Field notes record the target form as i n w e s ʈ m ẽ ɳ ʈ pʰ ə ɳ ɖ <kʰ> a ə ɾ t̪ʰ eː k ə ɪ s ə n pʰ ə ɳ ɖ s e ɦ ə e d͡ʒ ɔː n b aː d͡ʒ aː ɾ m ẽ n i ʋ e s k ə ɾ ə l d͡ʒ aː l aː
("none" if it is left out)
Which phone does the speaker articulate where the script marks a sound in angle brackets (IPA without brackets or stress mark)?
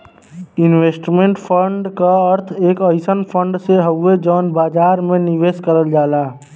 k